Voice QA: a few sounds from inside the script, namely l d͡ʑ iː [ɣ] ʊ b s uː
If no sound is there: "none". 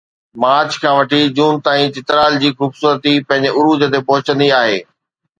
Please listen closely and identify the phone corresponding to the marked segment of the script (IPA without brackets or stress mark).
x